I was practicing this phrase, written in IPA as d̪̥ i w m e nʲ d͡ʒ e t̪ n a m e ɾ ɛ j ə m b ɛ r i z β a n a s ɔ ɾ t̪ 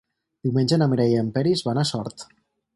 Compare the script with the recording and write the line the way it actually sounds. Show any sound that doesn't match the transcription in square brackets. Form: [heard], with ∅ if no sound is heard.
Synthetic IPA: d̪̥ i w m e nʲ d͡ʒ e [∅] n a m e ɾ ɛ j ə m [p] ɛ [ɾ] i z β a n a s ɔ ɾ t̪

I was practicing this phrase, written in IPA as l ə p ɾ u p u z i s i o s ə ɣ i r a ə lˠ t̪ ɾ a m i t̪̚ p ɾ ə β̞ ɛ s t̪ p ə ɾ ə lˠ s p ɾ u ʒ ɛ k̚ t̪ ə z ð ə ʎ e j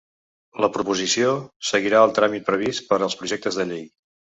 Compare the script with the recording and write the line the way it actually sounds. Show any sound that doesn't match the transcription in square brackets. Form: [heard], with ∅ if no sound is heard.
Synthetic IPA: l ə p ɾ u p u z i s i o s ə ɣ i [ɾ] a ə lˠ t̪ ɾ a m i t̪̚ p ɾ ə β̞ [i] s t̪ p ə ɾ ə lˠ s p ɾ u ʒ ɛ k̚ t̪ ə z ð ə ʎ e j

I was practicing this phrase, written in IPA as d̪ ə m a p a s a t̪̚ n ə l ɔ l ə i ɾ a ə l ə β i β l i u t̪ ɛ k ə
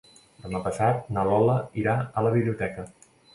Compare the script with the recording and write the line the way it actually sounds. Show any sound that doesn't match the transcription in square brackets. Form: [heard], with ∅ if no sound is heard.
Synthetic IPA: d̪ ə m a p [ə] s a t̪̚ n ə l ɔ l ə i ɾ a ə l ə β i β l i u t̪ ɛ k ə

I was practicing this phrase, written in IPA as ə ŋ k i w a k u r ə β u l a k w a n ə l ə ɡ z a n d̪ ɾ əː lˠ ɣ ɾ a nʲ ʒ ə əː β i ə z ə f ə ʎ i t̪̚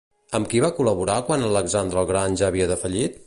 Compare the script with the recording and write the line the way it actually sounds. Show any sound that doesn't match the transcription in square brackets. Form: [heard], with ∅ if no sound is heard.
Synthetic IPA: ə [m] k i [β] a k u [l] ə β u [ɾ] a k w a n ə l ə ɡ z a n d̪ ɾ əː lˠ ɣ ɾ a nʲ ʒ [a] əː β i ə [ð] ə f ə ʎ i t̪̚

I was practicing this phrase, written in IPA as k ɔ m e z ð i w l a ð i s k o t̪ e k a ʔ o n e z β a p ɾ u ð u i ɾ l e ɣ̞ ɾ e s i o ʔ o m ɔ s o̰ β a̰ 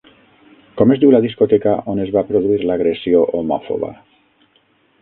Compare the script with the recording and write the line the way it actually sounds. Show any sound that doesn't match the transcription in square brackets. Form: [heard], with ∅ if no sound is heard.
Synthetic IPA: k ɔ m e z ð i w l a ð i s k o t̪ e k a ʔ o n e z β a p ɾ [o] ð u i ɾ l [a] ɣ̞ ɾ e s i o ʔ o m ɔ [f] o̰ β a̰

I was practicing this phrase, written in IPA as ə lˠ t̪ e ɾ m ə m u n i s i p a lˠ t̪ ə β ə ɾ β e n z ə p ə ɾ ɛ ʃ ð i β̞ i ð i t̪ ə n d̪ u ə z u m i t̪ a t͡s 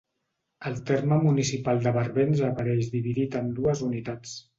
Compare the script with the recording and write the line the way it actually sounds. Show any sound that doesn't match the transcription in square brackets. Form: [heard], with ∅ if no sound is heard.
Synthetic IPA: ə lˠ t̪ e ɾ m ə m u n i s i p a lˠ [d̪] ə β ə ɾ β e n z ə p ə ɾ ɛ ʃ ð i β̞ i ð i t̪ ə n d̪ u ə z u [n] i t̪ a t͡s

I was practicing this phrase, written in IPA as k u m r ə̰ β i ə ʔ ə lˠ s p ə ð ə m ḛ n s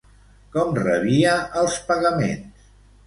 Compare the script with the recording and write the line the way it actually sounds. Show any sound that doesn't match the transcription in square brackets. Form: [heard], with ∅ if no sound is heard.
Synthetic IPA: k [ɔ] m r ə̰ β i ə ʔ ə lˠ s p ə [ɣ] ə m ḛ n s

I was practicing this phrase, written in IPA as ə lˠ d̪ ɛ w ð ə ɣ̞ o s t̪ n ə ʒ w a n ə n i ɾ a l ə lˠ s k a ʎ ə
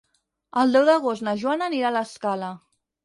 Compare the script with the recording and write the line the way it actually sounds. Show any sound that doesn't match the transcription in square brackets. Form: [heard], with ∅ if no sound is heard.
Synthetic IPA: ə lˠ d̪ ɛ w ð ə ɣ̞ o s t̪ n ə ʒ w a n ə n i ɾ a l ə [∅] s k a [l] ə

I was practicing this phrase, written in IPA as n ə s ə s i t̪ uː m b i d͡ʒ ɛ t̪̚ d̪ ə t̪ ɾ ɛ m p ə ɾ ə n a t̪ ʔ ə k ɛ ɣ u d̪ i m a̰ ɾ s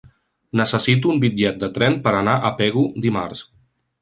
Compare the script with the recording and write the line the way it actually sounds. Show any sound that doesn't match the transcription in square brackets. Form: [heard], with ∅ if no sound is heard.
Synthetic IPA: n ə s ə s i t̪ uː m b i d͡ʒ ɛ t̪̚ d̪ ə t̪ ɾ ɛ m p ə ɾ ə n a [∅] ʔ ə [p] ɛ ɣ u d̪ i m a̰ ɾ s

